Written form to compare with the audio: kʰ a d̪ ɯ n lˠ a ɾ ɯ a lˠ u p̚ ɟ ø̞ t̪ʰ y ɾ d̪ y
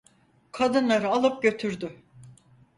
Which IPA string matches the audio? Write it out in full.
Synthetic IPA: kʰ a d̪ ɯ n lˠ a ɾ ɯ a lˠ ɯ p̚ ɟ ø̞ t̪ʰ y ɾ d̪ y